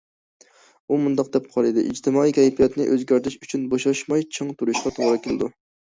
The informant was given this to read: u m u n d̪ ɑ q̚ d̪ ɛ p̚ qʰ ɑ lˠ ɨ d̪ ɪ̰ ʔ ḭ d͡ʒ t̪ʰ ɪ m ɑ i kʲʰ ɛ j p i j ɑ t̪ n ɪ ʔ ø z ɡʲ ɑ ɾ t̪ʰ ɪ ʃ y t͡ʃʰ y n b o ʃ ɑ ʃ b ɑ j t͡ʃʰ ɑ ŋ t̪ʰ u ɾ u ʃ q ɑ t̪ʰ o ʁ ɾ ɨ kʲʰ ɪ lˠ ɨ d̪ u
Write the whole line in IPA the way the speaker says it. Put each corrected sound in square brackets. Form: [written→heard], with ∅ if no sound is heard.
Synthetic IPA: u m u n d̪ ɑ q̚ d̪ ɛ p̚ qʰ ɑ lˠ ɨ d̪ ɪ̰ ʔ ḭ d͡ʒ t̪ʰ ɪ m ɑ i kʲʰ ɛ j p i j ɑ t̪ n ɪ ʔ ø z ɡʲ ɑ ɾ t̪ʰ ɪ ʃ y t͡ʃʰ y n b o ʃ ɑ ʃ [b→m] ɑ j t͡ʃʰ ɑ ŋ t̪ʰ u ɾ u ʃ q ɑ t̪ʰ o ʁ ɾ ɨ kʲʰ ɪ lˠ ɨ d̪ u